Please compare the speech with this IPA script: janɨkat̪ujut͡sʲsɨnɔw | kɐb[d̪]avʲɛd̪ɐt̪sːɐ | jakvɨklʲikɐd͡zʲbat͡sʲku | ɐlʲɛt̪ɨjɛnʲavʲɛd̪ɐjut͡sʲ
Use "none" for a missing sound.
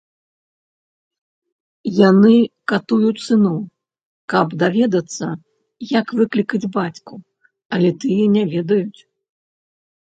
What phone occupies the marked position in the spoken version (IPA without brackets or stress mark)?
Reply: d̪